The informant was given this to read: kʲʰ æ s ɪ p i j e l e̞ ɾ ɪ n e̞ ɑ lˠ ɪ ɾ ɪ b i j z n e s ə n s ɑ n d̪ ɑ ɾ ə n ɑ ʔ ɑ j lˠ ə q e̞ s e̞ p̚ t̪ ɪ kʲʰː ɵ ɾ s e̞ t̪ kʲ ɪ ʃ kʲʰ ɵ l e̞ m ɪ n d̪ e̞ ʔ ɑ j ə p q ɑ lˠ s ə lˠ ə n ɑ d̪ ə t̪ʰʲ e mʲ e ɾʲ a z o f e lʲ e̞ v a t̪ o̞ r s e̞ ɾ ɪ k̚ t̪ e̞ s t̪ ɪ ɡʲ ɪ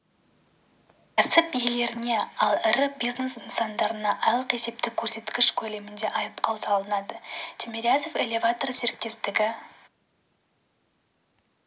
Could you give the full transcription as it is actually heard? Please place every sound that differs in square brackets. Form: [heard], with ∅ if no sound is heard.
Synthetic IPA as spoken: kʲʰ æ s ɪ p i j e l e̞ ɾ ɪ n e̞ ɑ lˠ ɪ ɾ ɪ b i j z n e s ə n s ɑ n d̪ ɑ ɾ ə n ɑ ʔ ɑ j lˠ ə q e̞ s e̞ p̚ t̪ ɪ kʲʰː ɵ ɾ s e̞ t̪ kʲ ɪ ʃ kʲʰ ɵ l e̞ m ɪ n d̪ e̞ ʔ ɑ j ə p q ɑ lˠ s [ɑ] lˠ ə n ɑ d̪ ə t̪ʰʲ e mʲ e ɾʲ a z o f e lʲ e̞ v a t̪ o̞ r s e̞ ɾ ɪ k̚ t̪ e̞ s t̪ ɪ ɡʲ ɪ

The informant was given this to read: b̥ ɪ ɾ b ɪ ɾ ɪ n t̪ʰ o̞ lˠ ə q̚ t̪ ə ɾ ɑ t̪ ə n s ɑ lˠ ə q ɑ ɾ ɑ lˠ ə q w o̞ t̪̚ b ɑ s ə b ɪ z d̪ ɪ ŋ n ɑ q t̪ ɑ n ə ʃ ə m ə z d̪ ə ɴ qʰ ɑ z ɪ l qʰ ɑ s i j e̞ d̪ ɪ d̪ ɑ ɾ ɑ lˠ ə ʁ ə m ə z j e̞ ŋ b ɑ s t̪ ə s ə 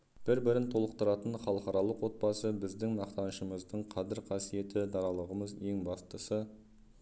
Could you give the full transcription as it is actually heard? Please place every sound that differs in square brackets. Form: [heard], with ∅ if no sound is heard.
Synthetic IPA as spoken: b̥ ɪ ɾ b ɪ ɾ ɪ n t̪ʰ o̞ lˠ ə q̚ t̪ ə ɾ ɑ t̪ ə n [χ] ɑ lˠ ə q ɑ ɾ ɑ lˠ ə q w o̞ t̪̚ b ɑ s ə b ɪ z d̪ ɪ ŋ n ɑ q t̪ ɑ n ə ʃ ə m ə z d̪ ə ɴ qʰ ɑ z ɪ [ɾ] qʰ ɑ s i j e̞ [t̪] ɪ d̪ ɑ ɾ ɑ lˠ ə ʁ ə m ə z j e̞ ŋ b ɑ s t̪ ə s ə

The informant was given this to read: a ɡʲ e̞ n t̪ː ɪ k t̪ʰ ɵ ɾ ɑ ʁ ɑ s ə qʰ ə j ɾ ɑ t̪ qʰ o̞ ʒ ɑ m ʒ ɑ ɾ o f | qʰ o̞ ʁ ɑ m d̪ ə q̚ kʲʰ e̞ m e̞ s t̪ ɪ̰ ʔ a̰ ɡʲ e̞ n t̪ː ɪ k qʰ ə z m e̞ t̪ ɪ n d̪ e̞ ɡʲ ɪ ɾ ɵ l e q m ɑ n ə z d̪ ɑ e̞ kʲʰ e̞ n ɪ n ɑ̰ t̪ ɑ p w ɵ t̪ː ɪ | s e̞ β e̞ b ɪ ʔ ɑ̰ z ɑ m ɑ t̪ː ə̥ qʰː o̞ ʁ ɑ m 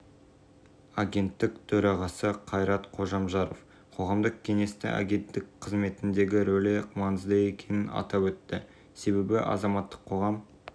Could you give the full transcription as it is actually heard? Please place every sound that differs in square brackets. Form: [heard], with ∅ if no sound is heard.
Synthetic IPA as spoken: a ɡʲ e̞ n t̪ː ɪ k t̪ʰ ɵ ɾ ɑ ʁ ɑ s ə qʰ [ɑ] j ɾ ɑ t̪ qʰ o̞ ʒ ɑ m ʒ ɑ ɾ o f | qʰ o̞ ʁ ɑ m d̪ ə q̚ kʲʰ e̞ [ŋ] e̞ s t̪ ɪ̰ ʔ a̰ ɡʲ e̞ n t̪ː ɪ k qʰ ə z m e̞ t̪ ɪ n d̪ e̞ ɡʲ ɪ ɾ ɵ l e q m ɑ n ə z d̪ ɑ e̞ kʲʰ e̞ n ɪ n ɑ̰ t̪ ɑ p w ɵ t̪ː ɪ | s e̞ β e̞ b ɪ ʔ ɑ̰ z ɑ m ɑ t̪ː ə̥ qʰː o̞ ʁ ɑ m

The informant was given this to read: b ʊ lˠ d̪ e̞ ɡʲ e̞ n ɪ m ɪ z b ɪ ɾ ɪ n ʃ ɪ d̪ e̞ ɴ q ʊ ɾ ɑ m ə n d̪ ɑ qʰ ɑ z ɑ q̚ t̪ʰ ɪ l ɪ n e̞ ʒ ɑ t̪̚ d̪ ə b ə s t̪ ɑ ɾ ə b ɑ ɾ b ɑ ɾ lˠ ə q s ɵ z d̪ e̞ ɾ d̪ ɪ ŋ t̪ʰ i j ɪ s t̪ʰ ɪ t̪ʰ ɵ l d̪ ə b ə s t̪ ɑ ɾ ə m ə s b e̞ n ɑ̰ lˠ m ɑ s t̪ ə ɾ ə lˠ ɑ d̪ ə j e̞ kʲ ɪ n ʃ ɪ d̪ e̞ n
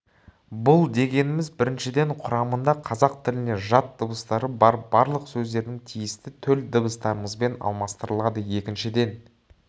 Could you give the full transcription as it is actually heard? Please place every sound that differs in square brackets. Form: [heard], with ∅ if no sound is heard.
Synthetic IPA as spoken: b ʊ lˠ d̪ e̞ ɡʲ e̞ n ɪ m ɪ z b ɪ ɾ ɪ n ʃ ɪ d̪ e̞ ɴ [qʰ] ʊ ɾ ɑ m ə n d̪ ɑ qʰ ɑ z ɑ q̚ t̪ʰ ɪ l ɪ n e̞ ʒ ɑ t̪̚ d̪ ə b ə s t̪ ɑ ɾ ə b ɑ ɾ b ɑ ɾ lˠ ə q s ɵ z d̪ e̞ ɾ d̪ ɪ ŋ t̪ʰ i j ɪ s [t̪] ɪ t̪ʰ ɵ l d̪ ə b ə s t̪ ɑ ɾ ə m ə [z] b e̞ n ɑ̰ lˠ m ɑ s t̪ ə ɾ ə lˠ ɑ d̪ ə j e̞ kʲ ɪ n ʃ ɪ d̪ e̞ n

